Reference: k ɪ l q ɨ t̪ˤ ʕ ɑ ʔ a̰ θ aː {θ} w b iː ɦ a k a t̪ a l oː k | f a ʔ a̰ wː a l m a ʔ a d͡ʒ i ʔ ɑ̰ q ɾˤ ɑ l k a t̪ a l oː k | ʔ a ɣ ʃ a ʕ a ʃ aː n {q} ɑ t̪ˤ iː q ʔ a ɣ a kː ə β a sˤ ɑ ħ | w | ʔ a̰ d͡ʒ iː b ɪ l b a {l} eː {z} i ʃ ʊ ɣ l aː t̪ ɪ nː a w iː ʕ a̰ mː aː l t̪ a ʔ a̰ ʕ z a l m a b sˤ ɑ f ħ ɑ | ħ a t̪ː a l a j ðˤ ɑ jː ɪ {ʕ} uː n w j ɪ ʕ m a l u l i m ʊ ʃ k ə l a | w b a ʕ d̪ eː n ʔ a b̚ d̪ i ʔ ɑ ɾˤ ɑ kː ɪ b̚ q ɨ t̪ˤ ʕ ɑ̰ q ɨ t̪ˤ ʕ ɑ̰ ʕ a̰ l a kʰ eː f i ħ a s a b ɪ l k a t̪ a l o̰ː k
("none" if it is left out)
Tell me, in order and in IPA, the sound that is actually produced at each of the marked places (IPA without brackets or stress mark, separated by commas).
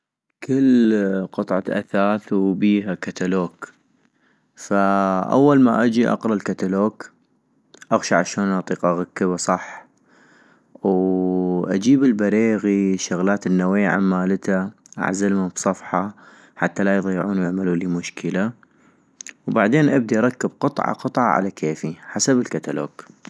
θ, ʔ, ɾ, ɣ, ʕ